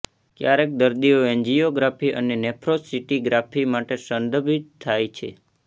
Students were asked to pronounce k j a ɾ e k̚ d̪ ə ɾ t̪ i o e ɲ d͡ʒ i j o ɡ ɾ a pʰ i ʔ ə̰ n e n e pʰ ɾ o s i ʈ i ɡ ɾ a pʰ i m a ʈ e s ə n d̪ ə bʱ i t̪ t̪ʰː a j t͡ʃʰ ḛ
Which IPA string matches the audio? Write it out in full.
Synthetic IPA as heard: k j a ɾ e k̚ d̪ ə ɾ d̪ i o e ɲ d͡ʒ i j o ɡ ɾ a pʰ i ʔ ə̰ n e n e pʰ ɾ o s i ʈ i ɡ ɾ a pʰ i m a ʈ e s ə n d̪ ə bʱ i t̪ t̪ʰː a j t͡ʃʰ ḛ